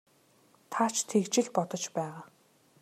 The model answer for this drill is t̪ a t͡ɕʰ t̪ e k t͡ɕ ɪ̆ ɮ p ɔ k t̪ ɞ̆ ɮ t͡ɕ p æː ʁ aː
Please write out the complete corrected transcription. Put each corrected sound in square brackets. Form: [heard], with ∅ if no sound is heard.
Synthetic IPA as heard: [t̪ʰ] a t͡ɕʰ [t̪ʰ] e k t͡ɕ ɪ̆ ɮ p ɔ [∅] t̪ ɞ̆ [∅] t͡ɕ p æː ʁ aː